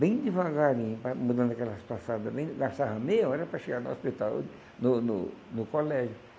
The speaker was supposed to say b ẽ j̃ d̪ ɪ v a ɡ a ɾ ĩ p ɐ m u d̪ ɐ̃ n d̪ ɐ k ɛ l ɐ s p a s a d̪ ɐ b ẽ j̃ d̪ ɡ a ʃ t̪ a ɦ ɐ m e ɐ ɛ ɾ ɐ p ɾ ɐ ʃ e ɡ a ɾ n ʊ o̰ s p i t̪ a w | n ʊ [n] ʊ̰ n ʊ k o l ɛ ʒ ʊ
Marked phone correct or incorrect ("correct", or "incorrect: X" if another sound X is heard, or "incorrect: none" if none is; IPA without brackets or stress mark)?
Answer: correct